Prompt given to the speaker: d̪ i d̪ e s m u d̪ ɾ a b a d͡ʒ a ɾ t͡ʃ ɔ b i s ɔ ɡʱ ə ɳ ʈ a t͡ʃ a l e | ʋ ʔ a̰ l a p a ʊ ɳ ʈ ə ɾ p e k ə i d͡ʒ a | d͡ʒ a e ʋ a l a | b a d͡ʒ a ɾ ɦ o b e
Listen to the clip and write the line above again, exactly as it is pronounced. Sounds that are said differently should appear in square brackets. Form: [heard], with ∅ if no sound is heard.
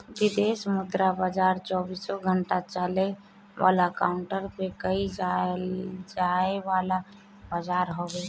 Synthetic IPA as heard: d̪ i d̪ e s m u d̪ ɾ a b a d͡ʒ a ɾ t͡ʃ ɔ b i s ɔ ɡʱ ə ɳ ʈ a t͡ʃ a l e | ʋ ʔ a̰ l a [k] a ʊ ɳ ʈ ə ɾ p e k ə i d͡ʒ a | d͡ʒ a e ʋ a l a | b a d͡ʒ a ɾ ɦ o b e

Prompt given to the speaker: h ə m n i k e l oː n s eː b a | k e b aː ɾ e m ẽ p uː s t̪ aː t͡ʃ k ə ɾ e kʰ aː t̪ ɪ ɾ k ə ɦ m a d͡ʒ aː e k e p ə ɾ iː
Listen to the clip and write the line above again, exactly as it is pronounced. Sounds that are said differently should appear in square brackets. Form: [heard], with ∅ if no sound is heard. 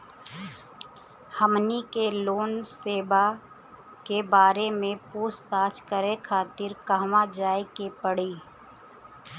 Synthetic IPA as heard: h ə m n i k e l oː n s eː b a | k e b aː ɾ e m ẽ p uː s t̪ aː t͡ʃ k ə ɾ e kʰ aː t̪ ɪ ɾ k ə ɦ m a d͡ʒ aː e k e p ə [ɽ] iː

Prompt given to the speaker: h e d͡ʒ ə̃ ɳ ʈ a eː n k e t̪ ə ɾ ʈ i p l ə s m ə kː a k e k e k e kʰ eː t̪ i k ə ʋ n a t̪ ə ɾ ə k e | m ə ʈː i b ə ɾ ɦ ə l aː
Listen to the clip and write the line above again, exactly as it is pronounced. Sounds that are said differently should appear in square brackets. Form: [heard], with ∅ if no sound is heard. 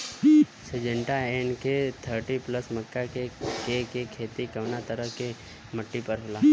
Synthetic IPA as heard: [s] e d͡ʒ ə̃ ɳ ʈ a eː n k e [t̪ʰ] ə ɾ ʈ i p l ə s m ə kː a k e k e k e kʰ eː t̪ i k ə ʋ n a t̪ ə ɾ ə k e | m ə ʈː i [p] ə ɾ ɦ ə l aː

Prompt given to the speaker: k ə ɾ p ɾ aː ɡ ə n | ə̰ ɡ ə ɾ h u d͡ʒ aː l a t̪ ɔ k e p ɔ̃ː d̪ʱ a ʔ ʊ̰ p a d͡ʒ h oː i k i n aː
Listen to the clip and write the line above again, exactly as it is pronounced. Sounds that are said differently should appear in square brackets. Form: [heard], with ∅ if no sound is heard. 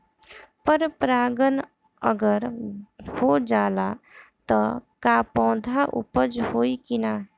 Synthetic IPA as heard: [p] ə ɾ p ɾ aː ɡ ə n | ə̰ ɡ ə ɾ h [o] d͡ʒ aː l a t̪ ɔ k [a] p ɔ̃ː d̪ʱ a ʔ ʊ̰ p [ə] d͡ʒ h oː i k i n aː

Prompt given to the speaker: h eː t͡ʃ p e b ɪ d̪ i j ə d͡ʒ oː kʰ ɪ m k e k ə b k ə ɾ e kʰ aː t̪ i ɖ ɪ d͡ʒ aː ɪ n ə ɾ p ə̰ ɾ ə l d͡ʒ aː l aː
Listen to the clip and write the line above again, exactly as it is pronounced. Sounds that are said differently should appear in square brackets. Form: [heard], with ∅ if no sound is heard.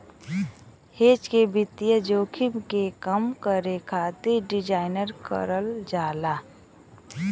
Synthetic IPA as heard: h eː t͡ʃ [k] e b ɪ [t̪] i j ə d͡ʒ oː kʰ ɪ m k e k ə [m] k ə ɾ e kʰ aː t̪ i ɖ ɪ d͡ʒ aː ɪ n ə ɾ [k] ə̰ ɾ ə l d͡ʒ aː l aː

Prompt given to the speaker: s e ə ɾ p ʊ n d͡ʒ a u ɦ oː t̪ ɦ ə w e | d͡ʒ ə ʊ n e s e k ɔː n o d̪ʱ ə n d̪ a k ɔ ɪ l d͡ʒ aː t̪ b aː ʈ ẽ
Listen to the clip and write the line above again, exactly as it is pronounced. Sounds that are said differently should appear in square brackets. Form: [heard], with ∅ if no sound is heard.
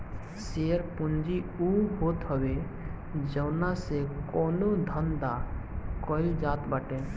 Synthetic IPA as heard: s e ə ɾ p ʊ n d͡ʒ [i] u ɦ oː t̪ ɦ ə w e | d͡ʒ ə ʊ n [a] s e k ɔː n o d̪ʱ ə n d̪ a k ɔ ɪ l d͡ʒ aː t̪ b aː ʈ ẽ

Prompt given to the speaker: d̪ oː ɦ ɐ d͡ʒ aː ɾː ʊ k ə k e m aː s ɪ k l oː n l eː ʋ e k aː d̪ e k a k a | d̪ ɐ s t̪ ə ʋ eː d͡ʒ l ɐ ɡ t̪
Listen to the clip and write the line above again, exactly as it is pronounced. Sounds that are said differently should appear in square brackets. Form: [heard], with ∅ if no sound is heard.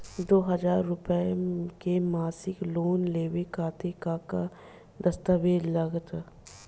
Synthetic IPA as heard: d̪ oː ɦ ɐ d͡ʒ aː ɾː ʊ [p] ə k e m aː s ɪ k l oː n l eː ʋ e k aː [t̪] e k a k a | d̪ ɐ s t̪ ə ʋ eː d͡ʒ l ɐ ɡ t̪

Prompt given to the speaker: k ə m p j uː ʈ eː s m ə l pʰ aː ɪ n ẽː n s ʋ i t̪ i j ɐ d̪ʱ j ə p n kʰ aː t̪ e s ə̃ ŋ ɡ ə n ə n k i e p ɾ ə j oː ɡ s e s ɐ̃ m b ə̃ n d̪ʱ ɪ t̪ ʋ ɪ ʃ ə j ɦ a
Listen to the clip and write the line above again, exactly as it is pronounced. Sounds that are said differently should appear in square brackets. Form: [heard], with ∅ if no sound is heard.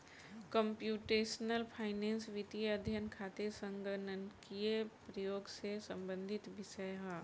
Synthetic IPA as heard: k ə m p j uː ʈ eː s [n] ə l pʰ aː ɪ n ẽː n s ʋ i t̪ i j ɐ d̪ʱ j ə [∅] n kʰ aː t̪ e s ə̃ ŋ ɡ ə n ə n k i e p ɾ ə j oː ɡ s e s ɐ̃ m b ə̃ n d̪ʱ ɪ t̪ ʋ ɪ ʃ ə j ɦ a

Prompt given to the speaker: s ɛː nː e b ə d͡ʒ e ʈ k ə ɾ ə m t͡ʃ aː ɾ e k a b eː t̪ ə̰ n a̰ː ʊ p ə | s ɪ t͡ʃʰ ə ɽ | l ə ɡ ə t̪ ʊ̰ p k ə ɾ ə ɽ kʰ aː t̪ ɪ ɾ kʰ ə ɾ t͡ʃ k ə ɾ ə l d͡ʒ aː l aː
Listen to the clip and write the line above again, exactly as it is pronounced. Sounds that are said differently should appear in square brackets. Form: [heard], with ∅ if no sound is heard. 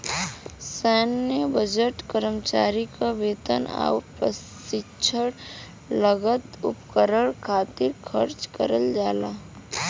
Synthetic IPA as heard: s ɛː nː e b ə d͡ʒ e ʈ k ə ɾ ə m t͡ʃ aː ɾ [i] k a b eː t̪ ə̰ n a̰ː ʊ p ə | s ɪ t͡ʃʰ ə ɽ | l ə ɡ ə t̪ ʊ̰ p k ə ɾ ə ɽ kʰ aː t̪ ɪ ɾ kʰ ə ɾ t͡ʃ k ə ɾ ə l d͡ʒ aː l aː

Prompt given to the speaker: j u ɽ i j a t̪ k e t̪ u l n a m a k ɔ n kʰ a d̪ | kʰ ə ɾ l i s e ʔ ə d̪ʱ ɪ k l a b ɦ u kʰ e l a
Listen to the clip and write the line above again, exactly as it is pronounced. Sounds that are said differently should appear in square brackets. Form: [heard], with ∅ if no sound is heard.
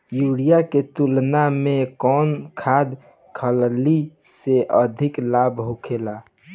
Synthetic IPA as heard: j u ɽ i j a [∅] k e t̪ u l n a m [e] k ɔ n kʰ a d̪ | kʰ ə [l] l i s e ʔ ə d̪ʱ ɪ k l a b ɦ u kʰ e l a

